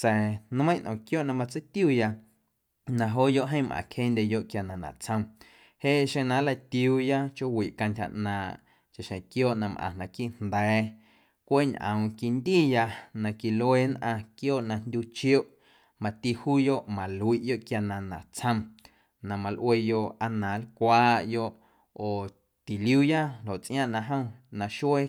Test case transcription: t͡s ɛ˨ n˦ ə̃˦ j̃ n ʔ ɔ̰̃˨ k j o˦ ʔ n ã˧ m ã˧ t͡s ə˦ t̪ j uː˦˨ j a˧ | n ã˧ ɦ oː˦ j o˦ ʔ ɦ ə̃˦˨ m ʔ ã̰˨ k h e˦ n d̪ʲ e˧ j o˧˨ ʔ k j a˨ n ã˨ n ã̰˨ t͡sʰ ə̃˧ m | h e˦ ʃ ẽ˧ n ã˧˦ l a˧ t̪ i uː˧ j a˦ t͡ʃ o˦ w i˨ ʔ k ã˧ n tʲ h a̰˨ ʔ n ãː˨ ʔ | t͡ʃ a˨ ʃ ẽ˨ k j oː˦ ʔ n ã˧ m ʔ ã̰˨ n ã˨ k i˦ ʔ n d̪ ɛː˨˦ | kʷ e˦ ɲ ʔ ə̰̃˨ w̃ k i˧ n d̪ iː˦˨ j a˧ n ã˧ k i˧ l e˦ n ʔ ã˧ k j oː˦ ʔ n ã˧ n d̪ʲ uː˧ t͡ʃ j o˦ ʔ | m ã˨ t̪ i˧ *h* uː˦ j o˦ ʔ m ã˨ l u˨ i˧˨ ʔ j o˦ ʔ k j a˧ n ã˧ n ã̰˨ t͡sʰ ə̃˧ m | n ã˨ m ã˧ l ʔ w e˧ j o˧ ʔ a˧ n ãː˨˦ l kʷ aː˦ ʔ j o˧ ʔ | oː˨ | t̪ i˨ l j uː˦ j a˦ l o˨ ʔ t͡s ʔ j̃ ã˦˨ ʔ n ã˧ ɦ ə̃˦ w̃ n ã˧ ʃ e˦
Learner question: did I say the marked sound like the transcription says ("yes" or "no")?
yes